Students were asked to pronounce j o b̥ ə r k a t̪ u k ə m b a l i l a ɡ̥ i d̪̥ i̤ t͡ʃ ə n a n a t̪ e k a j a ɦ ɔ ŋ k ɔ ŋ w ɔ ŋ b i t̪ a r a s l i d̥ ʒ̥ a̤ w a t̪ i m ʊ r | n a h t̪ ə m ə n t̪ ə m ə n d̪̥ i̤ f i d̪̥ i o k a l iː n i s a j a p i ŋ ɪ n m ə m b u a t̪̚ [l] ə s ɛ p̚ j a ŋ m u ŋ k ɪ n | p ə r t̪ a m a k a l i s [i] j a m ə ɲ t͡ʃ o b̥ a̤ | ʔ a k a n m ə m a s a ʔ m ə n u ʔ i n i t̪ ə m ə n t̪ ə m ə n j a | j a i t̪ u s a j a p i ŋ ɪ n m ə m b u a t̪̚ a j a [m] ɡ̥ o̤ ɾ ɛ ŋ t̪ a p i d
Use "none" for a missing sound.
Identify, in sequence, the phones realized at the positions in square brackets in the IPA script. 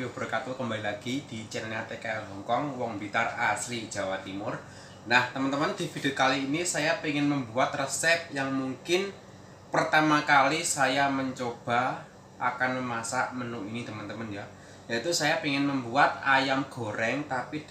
r, a, m

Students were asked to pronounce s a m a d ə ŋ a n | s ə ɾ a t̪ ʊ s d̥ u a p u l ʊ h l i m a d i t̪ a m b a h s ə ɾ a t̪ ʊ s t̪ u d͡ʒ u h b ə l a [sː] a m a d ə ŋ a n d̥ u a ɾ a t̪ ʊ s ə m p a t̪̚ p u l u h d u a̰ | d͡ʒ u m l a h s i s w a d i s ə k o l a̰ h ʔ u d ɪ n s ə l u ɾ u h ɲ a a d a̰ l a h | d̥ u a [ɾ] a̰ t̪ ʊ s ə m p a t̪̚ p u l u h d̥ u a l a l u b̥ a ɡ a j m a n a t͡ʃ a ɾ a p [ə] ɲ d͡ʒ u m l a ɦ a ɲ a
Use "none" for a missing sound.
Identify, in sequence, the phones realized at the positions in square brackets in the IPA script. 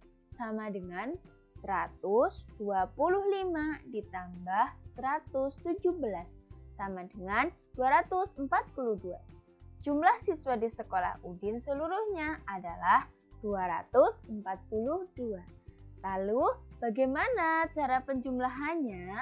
sː, ɾ, ə

